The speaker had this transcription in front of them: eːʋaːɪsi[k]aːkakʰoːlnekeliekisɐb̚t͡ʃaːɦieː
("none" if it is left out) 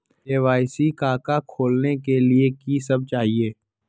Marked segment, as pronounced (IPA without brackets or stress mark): k